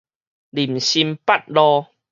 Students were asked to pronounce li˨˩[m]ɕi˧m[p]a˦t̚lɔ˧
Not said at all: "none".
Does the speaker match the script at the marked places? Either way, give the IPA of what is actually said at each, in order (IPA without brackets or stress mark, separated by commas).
m, p